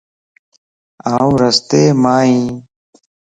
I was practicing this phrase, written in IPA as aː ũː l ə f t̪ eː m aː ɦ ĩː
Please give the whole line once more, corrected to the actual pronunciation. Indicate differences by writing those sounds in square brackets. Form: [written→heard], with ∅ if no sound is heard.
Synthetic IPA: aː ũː [l→ɾ] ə [f→s] t̪ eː m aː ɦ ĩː